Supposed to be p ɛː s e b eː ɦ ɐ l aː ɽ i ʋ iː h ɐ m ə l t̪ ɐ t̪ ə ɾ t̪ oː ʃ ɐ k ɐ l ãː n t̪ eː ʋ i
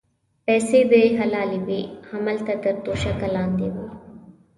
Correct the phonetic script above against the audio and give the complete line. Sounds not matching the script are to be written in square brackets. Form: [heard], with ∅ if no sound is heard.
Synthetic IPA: p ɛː s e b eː ɦ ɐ l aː [l] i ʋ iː h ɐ m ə l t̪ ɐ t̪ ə ɾ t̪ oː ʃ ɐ k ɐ l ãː n [d̪] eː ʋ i

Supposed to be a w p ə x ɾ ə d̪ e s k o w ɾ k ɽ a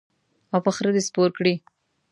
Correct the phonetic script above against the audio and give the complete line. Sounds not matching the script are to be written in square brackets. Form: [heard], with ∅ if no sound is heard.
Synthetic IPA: a w p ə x ɾ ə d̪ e s [p] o [∅] ɾ k ɽ [i]

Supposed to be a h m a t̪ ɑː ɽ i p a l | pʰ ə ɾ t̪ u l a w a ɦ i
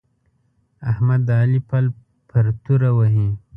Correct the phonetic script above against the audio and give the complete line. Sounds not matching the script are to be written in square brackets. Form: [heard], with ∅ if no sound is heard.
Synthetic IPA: a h m a [d̪] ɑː [l] i p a l | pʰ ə ɾ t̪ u [ɾ] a w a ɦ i

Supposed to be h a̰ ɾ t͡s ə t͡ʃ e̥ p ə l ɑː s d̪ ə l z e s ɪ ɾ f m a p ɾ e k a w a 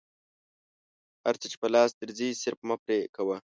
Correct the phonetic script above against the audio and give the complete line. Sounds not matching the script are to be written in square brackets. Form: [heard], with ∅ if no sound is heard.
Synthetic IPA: h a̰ ɾ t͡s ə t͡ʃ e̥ p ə l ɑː s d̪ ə [ɾ] z [i] s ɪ ɾ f m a p ɾ e k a w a

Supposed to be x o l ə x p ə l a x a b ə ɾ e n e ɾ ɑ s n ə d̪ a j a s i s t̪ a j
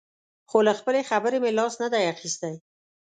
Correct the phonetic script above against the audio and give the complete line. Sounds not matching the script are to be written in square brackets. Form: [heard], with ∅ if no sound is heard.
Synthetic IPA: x o l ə x p ə l [e] x a b ə ɾ e [m] e [l] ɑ s n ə d̪ a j a [x] i s t̪ a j

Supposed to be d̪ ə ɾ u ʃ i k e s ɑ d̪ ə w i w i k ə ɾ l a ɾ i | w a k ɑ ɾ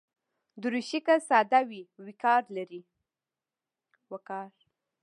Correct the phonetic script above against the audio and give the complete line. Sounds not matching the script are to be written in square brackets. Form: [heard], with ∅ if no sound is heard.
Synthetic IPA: d̪ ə ɾ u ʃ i k [a] s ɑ d̪ [a] w i w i k [ɑ] ɾ l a ɾ i | w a k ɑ ɾ

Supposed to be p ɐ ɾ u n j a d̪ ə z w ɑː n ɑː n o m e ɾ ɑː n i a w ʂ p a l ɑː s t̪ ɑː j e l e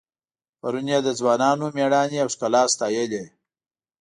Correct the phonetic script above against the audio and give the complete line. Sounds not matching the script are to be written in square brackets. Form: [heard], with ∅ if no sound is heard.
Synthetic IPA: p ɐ ɾ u n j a d̪ ə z w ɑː n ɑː n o m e [ɽ] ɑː n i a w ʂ [k] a l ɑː s t̪ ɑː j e l e

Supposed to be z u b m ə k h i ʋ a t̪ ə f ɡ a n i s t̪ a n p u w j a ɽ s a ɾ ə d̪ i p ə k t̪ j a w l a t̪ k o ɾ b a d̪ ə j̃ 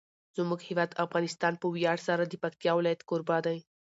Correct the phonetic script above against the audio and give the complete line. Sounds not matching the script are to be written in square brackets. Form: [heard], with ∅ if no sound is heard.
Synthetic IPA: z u [∅] m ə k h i ʋ a t̪ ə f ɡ a n i s t̪ a n p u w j a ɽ s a ɾ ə d̪ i p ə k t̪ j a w l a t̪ k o ɾ b a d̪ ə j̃

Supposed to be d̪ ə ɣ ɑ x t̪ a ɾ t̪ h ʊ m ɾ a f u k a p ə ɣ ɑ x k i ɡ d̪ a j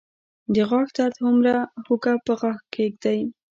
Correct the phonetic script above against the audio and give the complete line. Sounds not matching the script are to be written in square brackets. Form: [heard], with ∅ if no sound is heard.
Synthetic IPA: d̪ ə ɣ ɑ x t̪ a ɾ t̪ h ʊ m ɾ a [h] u k a p ə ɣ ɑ x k [e] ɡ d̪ a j

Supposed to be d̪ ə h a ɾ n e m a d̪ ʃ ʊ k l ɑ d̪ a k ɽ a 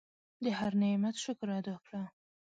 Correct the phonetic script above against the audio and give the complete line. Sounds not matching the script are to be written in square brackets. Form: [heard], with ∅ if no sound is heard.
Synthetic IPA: d̪ ə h a ɾ n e m a [t̪] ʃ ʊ k [ɾ] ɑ d̪ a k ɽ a

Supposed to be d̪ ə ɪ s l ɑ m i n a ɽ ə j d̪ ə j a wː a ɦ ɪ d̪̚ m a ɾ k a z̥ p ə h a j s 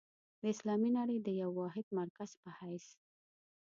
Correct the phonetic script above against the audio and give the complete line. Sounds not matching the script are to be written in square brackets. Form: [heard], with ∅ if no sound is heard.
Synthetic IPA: d̪ ə ɪ s l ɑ m i n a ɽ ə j d̪ ə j a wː [ɑ] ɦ ɪ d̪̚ m a ɾ k a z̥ p ə h a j s

